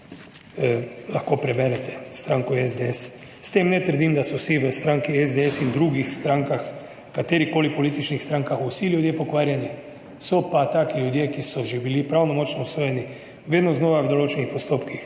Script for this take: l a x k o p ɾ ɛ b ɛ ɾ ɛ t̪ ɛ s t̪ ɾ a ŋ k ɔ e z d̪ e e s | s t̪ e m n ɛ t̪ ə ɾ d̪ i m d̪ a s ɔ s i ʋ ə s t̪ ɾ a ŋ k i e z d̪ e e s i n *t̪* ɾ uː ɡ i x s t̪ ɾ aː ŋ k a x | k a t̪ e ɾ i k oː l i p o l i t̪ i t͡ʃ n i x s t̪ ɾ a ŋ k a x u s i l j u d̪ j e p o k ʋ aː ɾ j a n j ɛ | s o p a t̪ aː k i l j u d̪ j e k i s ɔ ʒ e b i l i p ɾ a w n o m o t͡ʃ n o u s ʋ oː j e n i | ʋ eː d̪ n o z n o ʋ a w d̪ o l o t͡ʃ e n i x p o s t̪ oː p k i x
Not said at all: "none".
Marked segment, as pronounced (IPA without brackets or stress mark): d̪